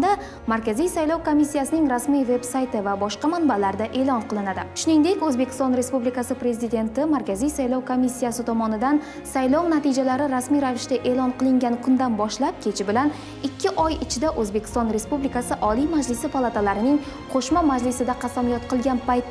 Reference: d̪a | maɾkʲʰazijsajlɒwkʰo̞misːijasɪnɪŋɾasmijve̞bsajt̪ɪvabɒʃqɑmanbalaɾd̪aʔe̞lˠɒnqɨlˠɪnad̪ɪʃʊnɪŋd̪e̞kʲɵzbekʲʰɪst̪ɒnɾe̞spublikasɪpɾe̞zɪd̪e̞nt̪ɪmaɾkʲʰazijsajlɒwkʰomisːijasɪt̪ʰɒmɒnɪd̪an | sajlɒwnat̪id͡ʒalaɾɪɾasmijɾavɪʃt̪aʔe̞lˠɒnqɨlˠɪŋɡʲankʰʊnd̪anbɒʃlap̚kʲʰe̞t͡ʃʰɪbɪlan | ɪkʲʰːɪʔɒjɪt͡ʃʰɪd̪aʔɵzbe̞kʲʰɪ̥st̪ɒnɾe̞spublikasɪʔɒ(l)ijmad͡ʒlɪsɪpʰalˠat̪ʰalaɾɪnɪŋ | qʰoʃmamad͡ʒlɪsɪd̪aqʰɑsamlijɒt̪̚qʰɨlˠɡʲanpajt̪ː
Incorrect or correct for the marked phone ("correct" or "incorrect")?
correct